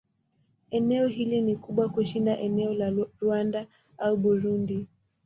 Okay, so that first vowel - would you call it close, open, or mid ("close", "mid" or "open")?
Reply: mid